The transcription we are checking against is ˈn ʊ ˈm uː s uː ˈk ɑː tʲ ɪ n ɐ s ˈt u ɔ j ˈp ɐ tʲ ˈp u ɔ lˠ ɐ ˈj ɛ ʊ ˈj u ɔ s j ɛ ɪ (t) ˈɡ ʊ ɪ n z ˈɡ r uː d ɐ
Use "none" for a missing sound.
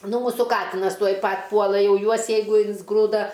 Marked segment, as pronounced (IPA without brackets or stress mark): none